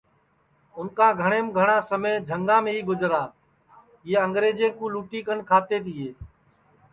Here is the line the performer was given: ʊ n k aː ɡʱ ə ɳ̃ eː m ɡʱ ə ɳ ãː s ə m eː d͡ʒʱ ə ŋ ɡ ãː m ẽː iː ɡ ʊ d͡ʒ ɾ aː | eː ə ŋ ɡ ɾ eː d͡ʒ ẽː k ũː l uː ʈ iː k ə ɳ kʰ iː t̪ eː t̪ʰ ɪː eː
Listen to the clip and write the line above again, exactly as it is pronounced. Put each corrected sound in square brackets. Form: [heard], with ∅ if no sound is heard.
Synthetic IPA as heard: ʊ n k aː ɡʱ ə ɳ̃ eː m ɡʱ ə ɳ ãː s ə m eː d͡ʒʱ ə ŋ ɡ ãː m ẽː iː ɡ ʊ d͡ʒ ɾ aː | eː ə ŋ ɡ ɾ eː d͡ʒ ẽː k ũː l uː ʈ iː k ə ɳ kʰ [aː] t̪ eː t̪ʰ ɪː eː